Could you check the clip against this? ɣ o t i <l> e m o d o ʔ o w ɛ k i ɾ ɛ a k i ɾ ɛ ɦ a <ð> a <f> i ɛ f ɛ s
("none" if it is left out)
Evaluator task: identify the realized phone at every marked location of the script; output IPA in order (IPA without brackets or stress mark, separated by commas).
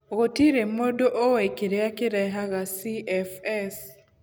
ɾ, ɣ, s